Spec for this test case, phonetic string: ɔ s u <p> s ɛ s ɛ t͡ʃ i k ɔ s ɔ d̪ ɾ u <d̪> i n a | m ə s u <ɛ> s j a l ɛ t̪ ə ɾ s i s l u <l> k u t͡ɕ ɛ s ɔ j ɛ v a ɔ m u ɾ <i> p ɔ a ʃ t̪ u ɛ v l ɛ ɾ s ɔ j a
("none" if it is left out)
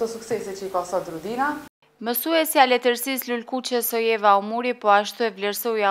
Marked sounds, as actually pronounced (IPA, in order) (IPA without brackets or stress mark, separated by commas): k, d̪, ɛ, l, i